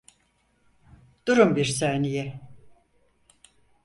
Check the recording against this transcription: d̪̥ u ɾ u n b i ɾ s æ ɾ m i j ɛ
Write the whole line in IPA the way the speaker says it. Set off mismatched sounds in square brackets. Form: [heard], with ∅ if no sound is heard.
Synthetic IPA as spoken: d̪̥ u ɾ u [m] b i ɾ s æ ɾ [n] i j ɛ

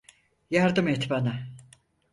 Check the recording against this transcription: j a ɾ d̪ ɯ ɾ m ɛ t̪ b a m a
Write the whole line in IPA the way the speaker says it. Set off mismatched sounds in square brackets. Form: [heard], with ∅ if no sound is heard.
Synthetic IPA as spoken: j a ɾ d̪ ɯ [∅] m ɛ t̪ b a [n] a

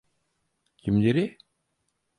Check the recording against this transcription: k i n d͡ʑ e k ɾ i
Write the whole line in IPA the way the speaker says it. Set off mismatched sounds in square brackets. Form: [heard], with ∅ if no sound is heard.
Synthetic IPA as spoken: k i [m] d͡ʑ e [∅] ɾ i

